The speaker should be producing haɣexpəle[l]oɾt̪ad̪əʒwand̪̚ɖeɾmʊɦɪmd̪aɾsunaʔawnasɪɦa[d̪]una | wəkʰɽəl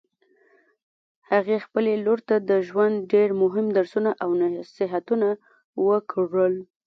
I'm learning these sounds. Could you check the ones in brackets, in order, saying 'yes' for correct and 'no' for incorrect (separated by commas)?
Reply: yes, no